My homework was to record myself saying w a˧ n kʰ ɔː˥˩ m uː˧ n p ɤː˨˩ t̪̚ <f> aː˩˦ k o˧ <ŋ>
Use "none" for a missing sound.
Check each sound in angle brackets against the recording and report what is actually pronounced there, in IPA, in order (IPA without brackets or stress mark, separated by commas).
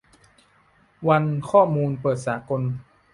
s, n